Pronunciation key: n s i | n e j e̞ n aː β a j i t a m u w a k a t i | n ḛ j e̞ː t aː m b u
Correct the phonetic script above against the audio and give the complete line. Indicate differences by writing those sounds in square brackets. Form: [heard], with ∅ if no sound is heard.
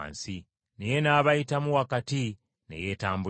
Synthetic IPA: n s i | n e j e̞ n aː β a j i t a m u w a k a t i | n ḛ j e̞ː t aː m b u